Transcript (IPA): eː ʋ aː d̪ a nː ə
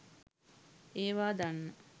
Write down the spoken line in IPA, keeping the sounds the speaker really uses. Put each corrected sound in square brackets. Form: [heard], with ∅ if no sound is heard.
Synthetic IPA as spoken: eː ʋ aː d̪ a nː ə